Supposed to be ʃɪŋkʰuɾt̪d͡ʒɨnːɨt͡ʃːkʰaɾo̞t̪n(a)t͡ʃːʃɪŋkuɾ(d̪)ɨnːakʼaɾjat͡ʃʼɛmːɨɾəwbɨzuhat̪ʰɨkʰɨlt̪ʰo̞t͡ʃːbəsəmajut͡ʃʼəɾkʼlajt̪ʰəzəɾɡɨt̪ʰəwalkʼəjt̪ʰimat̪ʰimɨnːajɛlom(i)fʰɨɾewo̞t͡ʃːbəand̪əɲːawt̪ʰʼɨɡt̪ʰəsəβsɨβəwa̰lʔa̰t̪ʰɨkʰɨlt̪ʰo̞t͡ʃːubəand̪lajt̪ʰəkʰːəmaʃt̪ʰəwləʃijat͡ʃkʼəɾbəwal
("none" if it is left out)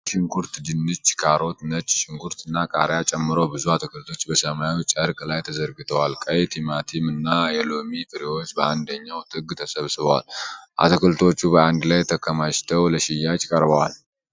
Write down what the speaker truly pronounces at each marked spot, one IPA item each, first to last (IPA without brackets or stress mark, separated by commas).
ə, t̪, i